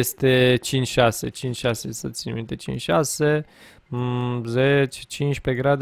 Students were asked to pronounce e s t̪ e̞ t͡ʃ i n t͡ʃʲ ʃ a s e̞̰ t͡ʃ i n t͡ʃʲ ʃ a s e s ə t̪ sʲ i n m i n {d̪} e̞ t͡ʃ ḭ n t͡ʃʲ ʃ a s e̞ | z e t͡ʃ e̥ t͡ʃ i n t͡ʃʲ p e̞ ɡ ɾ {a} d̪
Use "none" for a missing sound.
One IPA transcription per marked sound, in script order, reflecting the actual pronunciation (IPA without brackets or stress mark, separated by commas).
t̪, a